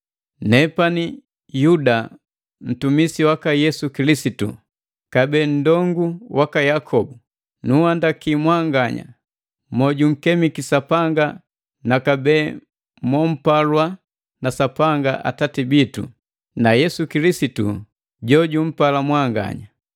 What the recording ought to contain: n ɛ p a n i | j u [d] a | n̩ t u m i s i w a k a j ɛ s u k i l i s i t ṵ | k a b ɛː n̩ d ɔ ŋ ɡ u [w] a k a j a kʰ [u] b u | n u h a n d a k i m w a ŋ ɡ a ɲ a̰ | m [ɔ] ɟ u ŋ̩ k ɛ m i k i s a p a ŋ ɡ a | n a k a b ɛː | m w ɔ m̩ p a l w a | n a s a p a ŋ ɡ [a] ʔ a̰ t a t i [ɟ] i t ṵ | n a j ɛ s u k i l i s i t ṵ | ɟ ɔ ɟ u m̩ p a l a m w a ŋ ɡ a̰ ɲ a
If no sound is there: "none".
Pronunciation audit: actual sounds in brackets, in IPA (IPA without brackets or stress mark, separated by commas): d, w, ɔ, ɔ, a, b